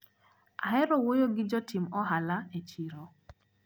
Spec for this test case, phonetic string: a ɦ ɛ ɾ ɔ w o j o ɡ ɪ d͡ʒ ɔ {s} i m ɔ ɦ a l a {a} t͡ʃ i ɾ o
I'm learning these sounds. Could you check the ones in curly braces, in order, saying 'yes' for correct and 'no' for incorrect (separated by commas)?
no, no